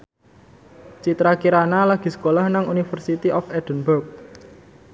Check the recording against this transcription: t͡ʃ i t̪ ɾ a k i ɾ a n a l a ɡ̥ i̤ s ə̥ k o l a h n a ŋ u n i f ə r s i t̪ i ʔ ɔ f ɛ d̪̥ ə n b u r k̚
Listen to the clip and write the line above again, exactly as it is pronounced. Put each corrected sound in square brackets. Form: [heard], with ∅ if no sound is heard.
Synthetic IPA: t͡ʃ i t̪ ɾ a k i ɾ a n a l a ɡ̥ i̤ s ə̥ k o l a h n a ŋ u n i f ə r s i t̪ i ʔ ɔ f ɛ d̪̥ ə n b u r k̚